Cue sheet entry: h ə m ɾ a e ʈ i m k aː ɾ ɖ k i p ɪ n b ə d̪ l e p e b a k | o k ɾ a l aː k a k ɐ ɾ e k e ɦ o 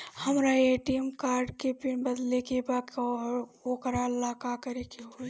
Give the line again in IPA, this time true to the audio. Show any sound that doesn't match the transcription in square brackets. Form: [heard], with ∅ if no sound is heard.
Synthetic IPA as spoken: h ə m ɾ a e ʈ i m k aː ɾ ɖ k [e] p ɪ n b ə d̪ l e [k] e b a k | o k ɾ a l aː k a k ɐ ɾ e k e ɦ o